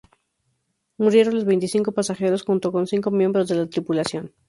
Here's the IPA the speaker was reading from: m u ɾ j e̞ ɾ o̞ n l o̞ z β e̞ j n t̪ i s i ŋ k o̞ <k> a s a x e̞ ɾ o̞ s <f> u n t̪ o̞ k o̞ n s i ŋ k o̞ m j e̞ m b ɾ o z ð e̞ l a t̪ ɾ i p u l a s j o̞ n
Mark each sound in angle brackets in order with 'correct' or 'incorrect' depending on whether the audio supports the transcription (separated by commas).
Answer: incorrect, incorrect